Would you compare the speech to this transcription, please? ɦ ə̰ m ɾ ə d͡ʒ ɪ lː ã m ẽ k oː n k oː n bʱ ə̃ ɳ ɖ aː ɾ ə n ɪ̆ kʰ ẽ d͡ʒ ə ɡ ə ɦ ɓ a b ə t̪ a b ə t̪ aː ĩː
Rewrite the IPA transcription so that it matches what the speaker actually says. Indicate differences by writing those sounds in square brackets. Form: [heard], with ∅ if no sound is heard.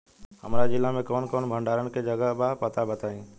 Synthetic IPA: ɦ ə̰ m ɾ [a] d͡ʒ ɪ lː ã m ẽ k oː n k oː n bʱ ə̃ ɳ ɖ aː ɾ ə n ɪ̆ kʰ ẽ d͡ʒ ə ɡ ə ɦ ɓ a [p] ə t̪ a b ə t̪ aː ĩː